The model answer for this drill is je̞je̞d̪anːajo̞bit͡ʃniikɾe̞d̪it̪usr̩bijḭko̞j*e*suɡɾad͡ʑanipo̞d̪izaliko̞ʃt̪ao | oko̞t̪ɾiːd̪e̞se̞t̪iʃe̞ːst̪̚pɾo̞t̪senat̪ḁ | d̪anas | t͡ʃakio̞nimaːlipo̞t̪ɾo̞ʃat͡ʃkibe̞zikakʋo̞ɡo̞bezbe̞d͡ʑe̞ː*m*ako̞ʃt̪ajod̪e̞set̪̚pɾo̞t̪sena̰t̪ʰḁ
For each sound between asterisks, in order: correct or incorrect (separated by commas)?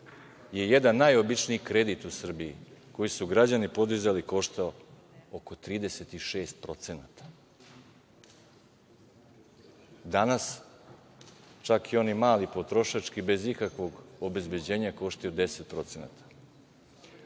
incorrect, incorrect